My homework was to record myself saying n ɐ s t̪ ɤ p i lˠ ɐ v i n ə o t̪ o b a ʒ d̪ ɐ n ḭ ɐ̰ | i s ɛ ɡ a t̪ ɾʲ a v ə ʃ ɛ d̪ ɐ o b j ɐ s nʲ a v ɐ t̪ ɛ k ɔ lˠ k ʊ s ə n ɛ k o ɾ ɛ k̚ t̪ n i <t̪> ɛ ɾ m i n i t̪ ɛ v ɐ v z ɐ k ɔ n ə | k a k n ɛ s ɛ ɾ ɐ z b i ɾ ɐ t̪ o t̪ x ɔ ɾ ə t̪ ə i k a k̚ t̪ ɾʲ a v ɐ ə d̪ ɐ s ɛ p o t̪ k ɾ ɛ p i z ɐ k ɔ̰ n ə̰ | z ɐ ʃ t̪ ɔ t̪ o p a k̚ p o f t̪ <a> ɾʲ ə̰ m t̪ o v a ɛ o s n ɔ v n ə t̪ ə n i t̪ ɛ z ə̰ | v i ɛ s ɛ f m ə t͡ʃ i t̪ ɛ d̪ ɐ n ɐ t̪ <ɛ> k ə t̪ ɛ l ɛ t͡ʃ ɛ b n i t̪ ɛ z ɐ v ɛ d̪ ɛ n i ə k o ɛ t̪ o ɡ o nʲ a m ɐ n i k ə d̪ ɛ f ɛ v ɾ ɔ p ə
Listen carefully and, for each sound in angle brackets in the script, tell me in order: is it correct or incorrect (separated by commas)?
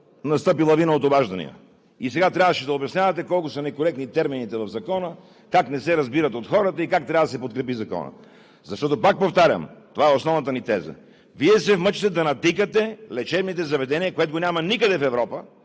correct, correct, incorrect